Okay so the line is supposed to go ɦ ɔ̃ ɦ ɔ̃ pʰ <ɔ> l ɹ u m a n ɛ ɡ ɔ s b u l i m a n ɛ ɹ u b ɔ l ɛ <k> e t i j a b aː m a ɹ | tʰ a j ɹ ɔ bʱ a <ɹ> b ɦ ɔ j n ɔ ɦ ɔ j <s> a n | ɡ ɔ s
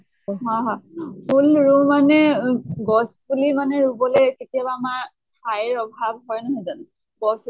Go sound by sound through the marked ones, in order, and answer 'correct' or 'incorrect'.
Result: incorrect: u, correct, incorrect: none, incorrect: z

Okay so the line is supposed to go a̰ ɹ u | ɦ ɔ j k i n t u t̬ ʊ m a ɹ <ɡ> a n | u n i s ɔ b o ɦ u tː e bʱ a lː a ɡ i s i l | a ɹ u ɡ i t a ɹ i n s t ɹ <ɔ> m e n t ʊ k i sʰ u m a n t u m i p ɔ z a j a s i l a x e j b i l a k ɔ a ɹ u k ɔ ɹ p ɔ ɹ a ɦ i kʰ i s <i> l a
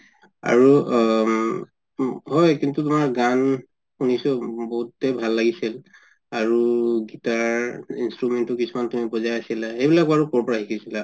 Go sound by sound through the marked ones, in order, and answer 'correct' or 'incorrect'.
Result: correct, incorrect: u, correct

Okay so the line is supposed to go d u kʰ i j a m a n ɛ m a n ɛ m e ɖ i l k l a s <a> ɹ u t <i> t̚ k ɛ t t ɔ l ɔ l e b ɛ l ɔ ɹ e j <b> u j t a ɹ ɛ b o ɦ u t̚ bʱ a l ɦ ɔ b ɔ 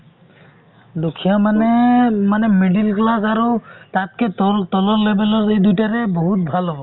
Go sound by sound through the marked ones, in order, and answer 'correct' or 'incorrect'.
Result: correct, incorrect: a, incorrect: d

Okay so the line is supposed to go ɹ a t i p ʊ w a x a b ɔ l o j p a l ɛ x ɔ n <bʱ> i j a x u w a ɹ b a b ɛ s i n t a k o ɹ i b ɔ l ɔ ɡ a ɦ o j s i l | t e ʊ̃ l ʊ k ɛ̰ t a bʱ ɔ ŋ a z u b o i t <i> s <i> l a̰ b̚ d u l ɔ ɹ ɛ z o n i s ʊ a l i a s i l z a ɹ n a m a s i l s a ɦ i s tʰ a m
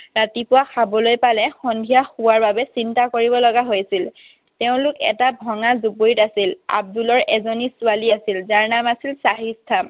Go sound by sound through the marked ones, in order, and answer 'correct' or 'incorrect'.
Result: incorrect: dʱ, incorrect: a, correct

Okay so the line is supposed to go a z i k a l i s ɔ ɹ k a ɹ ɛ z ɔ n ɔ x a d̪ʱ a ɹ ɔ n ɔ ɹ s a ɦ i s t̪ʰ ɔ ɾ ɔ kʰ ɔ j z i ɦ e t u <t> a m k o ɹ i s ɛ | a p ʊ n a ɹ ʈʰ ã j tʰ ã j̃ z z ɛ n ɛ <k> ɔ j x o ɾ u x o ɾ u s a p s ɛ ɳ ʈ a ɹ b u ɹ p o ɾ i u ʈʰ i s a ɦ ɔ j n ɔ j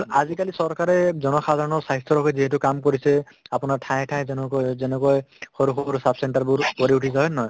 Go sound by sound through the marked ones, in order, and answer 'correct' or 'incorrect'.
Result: incorrect: k, correct

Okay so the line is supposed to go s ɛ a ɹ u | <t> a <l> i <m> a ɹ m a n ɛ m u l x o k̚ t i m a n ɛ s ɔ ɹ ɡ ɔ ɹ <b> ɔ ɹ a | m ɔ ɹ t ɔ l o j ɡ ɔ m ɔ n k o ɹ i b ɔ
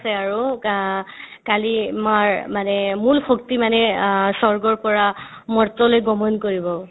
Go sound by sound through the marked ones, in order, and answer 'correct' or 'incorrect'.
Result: incorrect: k, correct, correct, incorrect: p

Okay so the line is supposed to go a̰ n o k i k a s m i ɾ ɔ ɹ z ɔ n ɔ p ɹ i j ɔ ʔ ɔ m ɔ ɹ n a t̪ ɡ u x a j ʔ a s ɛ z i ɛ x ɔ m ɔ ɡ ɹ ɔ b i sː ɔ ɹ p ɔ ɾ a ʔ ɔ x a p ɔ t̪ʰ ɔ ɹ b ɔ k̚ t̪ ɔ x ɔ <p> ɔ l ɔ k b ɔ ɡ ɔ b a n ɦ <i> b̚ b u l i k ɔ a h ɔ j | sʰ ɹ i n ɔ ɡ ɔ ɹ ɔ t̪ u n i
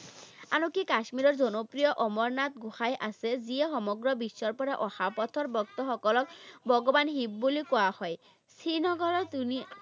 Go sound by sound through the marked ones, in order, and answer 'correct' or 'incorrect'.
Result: incorrect: k, correct

